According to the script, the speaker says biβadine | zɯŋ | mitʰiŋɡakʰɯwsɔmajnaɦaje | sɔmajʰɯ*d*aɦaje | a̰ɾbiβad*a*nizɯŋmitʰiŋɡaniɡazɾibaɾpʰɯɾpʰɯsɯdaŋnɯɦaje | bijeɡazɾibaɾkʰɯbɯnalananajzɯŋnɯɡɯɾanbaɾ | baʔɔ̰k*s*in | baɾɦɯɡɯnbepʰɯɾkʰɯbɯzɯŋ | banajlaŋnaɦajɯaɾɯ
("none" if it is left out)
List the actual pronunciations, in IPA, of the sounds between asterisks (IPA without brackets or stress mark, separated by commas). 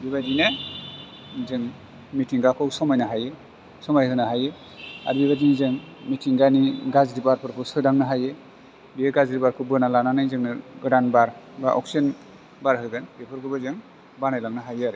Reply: n, i, s